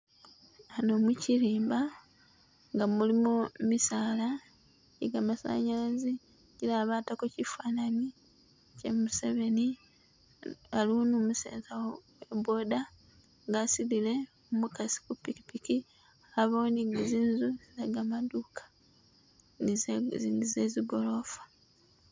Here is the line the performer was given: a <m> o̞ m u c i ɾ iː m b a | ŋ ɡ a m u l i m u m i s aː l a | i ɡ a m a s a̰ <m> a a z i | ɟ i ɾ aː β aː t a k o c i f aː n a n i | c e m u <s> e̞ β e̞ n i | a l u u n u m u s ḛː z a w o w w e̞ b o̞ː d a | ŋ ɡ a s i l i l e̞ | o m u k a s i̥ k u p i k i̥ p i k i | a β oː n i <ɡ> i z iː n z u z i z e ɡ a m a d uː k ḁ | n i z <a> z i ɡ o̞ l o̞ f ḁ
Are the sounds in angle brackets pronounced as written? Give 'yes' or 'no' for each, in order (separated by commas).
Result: no, no, yes, yes, no